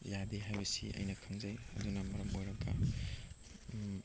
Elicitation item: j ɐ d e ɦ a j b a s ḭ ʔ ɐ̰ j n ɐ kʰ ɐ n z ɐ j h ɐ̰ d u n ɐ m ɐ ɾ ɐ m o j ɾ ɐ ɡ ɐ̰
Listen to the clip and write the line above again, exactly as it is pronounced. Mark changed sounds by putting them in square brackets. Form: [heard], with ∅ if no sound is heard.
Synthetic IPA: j [a] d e ɦ a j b [ɐ] s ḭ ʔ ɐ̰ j n ɐ kʰ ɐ [ŋ] z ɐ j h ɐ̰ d u n ɐ m ɐ ɾ ɐ m o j ɾ ɐ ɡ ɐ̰